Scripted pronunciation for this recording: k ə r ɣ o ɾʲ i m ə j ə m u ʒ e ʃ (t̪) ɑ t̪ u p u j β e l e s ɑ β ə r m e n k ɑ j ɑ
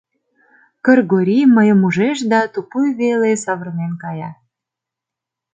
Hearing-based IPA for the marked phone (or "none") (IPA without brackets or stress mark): d̪